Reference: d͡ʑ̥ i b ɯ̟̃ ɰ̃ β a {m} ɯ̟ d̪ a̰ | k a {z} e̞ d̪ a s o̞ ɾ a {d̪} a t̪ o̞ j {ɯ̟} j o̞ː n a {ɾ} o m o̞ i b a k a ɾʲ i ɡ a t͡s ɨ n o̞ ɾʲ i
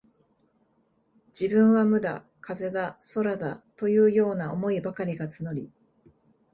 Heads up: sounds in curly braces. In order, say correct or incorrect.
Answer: correct, correct, correct, incorrect: ɯ̟ː, incorrect: none

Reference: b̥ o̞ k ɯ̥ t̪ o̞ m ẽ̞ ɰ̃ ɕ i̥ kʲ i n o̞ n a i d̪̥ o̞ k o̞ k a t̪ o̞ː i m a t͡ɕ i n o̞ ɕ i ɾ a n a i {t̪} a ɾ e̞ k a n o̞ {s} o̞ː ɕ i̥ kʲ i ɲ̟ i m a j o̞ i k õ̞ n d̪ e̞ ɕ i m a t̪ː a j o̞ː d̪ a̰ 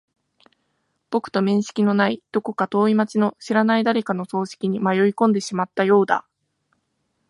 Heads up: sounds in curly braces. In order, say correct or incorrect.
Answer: incorrect: d̪, correct

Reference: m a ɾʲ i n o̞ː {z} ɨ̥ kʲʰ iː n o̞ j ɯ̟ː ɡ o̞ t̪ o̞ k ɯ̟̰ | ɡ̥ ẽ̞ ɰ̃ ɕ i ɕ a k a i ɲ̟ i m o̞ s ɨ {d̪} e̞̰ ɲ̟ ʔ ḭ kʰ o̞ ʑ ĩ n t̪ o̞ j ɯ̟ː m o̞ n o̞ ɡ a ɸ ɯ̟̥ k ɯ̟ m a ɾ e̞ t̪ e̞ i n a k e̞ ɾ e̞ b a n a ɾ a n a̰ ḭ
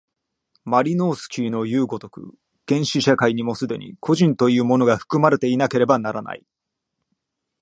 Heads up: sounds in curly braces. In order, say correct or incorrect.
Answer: incorrect: s, correct

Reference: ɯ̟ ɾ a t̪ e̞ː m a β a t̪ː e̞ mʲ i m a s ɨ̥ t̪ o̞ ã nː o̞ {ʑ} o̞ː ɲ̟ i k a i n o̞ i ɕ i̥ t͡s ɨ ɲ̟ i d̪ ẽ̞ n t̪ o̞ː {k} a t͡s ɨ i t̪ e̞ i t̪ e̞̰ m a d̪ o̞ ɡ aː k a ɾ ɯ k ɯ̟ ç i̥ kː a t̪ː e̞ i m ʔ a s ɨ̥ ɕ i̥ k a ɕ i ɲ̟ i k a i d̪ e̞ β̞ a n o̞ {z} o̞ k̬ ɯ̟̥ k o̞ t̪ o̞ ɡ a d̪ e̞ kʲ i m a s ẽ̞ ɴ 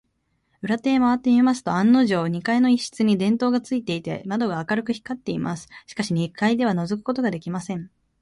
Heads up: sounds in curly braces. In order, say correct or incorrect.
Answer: correct, incorrect: ɡ, correct

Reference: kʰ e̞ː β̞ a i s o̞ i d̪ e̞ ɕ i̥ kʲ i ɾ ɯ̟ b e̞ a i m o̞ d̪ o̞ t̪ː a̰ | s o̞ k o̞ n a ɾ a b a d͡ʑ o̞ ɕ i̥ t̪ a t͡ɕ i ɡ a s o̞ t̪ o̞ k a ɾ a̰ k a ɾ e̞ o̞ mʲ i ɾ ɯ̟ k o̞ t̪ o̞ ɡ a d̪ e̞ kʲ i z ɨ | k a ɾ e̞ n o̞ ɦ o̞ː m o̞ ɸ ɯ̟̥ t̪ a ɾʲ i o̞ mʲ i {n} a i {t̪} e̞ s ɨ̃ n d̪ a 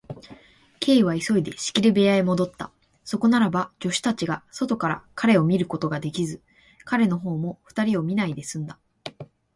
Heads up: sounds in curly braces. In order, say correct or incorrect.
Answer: correct, incorrect: d̪

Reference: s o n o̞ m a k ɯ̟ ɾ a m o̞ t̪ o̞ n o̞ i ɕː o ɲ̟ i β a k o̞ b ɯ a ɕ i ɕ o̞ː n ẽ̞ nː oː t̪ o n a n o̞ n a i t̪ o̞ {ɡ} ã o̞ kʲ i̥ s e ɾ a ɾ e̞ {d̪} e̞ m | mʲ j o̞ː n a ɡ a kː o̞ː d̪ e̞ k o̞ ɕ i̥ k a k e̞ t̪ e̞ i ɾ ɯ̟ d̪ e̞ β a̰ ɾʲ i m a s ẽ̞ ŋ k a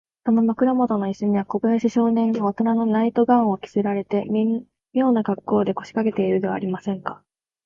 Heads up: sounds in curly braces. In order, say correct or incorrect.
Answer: correct, incorrect: t̪

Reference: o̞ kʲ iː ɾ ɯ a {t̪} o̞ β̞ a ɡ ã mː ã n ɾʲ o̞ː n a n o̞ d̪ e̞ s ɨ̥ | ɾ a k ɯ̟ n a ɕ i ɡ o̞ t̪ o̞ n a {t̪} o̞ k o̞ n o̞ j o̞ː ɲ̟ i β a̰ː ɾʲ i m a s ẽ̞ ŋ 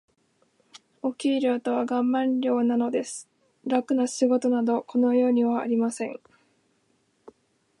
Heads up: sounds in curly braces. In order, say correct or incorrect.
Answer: correct, incorrect: d̪

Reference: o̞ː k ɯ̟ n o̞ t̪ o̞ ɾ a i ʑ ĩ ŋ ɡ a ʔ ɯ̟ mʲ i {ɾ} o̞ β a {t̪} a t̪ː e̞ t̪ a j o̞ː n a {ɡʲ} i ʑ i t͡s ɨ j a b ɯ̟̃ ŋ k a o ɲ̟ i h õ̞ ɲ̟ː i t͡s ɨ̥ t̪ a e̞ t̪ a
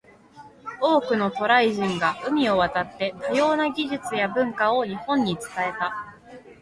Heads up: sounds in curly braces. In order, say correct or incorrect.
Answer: incorrect: none, correct, correct

